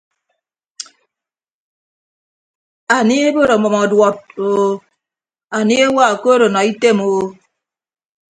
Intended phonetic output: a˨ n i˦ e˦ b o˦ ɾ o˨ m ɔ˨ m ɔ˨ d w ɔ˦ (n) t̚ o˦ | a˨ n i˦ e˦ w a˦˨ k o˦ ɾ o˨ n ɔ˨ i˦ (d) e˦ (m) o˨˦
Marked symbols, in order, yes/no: no, no, yes

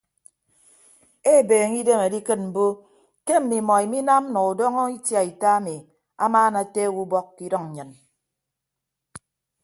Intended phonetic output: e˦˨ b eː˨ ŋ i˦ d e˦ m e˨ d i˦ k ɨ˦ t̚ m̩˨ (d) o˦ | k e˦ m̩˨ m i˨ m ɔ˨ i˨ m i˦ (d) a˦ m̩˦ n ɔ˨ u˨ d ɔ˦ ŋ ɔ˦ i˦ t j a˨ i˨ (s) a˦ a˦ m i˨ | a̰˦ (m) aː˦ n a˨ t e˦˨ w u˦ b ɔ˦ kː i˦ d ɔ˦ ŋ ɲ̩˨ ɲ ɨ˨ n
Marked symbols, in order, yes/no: no, no, no, yes

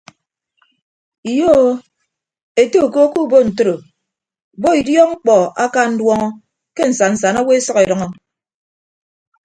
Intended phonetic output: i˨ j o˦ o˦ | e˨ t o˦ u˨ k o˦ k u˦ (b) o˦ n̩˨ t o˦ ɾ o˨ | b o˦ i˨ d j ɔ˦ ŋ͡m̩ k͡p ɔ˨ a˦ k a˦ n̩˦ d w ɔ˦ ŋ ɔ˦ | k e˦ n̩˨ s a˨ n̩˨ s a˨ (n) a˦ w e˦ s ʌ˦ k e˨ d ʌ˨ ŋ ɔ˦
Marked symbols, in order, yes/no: yes, yes

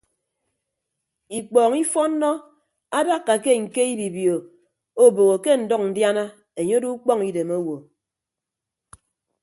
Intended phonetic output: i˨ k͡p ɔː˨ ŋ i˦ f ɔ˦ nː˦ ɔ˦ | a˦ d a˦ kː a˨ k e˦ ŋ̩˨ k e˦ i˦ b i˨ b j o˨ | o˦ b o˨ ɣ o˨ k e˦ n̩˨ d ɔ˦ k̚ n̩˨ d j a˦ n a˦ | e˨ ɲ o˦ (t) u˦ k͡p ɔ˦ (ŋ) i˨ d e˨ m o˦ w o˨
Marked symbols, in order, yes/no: no, yes

